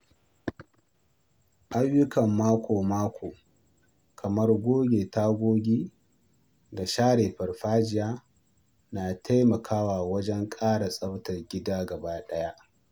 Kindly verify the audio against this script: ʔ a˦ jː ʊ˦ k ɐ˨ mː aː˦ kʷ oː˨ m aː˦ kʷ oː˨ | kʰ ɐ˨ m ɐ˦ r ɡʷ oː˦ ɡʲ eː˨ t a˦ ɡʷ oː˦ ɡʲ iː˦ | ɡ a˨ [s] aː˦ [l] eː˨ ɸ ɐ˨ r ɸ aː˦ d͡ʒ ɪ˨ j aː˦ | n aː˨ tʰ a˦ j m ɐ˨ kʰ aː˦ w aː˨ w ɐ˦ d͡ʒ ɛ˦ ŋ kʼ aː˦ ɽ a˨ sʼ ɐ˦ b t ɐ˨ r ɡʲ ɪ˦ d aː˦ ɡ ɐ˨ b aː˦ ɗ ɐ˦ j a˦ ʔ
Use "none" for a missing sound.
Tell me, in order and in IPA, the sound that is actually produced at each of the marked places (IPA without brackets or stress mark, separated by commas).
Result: ʃ, ɽ